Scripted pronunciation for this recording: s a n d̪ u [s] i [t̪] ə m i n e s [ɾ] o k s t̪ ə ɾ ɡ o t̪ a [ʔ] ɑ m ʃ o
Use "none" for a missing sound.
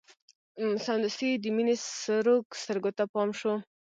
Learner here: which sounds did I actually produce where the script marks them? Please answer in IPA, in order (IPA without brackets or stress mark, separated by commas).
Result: s, d̪, ɾ, p